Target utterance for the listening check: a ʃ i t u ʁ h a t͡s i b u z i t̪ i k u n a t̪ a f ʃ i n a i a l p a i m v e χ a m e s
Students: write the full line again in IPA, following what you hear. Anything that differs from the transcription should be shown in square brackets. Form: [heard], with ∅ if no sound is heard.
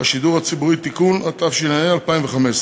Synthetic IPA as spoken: a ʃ i [d] u ʁ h a t͡s i b u [ʁ] i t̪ i k u n a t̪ a f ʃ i n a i a l p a i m v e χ a m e s